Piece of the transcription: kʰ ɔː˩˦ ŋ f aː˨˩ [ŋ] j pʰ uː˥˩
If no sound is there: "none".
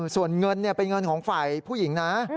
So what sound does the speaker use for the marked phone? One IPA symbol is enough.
none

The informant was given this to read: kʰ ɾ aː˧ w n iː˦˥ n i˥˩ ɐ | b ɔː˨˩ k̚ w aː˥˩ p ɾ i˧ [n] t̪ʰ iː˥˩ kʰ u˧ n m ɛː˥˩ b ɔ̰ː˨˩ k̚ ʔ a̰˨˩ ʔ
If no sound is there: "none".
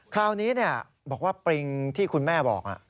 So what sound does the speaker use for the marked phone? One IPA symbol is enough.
ŋ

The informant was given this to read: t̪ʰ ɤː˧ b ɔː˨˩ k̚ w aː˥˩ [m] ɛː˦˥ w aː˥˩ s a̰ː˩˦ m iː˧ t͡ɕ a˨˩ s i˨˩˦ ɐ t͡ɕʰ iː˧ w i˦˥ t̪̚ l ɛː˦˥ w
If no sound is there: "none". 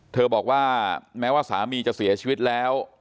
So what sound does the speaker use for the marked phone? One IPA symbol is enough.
m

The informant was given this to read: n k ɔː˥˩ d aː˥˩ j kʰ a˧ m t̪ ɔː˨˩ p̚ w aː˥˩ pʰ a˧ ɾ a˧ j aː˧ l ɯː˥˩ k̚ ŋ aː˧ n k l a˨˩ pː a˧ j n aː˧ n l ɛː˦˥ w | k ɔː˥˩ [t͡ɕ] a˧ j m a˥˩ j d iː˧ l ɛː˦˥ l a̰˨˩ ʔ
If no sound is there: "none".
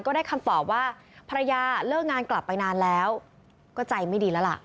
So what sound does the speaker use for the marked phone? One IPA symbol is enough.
t͡ɕ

